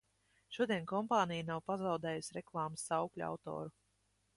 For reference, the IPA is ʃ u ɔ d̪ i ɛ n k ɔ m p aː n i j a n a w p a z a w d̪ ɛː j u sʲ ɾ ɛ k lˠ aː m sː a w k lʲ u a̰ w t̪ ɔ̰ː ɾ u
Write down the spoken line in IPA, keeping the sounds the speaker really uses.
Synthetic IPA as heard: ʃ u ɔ d̪ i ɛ n k ɔ m p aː n i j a n a w p a z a w d̪ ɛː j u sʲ ɾ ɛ k lˠ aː m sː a w k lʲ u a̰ w t̪ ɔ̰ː ɾ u